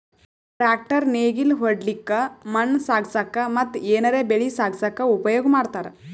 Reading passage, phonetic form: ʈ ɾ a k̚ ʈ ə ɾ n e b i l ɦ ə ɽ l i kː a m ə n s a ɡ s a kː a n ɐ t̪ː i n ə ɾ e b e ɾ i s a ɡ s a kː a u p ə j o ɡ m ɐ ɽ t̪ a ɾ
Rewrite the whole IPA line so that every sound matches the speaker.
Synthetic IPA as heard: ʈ ɾ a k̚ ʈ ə ɾ n e ɡ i l ɦ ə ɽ l i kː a m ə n s a ɡ s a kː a m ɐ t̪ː e n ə ɾ e b e ɭ i s a ɡ s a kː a u p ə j o ɡ m a ɽ t̪ a ɾ